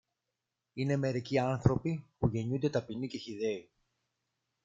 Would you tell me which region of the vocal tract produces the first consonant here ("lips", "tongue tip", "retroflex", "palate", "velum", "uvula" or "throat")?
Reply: tongue tip